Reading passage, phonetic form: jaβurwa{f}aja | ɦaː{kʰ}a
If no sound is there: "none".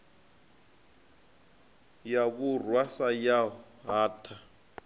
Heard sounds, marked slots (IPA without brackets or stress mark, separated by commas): s, tʰ